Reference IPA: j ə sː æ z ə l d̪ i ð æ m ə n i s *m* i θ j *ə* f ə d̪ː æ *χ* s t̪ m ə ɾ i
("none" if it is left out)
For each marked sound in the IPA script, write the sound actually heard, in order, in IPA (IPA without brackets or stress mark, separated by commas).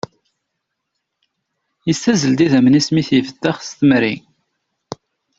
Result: m, ə, χ